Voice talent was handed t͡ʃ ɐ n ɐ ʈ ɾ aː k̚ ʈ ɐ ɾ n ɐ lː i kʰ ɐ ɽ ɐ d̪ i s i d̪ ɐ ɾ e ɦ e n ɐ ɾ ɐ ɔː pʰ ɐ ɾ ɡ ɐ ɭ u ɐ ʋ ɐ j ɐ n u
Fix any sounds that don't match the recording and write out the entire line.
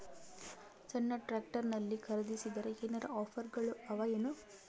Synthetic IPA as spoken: t͡ʃ ɐ nː ɐ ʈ ɾ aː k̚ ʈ ɐ ɾ n ɐ lː i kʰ ɐ ɾ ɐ d̪ i s i d̪ ɐ ɾ e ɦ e n ɐ ɾ ɐ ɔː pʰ ɐ ɾ ɡ ɐ ɭ u ɐ ʋ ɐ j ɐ n u